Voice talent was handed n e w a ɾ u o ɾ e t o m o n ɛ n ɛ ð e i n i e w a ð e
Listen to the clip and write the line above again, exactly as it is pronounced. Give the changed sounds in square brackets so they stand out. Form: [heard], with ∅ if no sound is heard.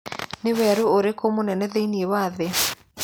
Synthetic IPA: n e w [ɛ] ɾ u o ɾ e [k] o m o n ɛ n ɛ ð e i n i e w a ð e